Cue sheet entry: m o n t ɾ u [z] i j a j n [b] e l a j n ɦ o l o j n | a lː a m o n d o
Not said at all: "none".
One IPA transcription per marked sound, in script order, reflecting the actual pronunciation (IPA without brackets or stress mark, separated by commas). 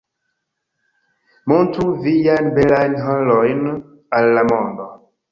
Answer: v, b